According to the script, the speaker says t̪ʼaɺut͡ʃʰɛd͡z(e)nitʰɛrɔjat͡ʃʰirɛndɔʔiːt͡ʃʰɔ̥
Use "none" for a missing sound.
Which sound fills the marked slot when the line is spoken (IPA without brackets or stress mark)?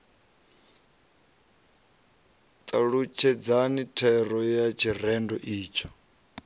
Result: a